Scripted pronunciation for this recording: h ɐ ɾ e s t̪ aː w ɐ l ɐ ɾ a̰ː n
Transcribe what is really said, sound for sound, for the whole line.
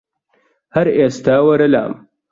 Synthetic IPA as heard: h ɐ ɾ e s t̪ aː w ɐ ɾ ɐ l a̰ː m